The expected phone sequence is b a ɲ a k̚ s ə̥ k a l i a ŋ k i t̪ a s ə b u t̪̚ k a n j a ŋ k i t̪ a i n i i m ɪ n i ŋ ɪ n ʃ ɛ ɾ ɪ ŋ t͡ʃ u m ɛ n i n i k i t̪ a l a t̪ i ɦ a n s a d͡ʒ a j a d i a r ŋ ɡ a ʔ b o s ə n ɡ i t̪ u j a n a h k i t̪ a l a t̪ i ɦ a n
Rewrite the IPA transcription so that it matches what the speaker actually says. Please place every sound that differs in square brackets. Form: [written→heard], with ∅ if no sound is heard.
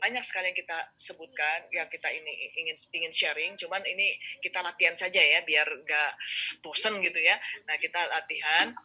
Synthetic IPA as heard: b a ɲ a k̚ s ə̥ k a l i a ŋ k i t̪ a s ə b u t̪̚ k a n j a ŋ k i t̪ a i n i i [m→ŋ] ɪ n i ŋ ɪ n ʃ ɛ ɾ ɪ ŋ t͡ʃ u m [ɛ→a] n i n i k i t̪ a l a t̪ i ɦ a n s a d͡ʒ a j a [d→b] i a r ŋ ɡ a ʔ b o s ə n ɡ i t̪ u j a n a h k i t̪ a l a t̪ i ɦ a n